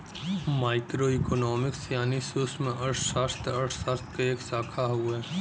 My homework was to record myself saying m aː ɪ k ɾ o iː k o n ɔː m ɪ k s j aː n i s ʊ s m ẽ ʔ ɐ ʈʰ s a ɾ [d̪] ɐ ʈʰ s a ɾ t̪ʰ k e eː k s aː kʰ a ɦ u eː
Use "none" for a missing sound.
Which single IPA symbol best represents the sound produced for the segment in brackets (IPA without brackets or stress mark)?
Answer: t̪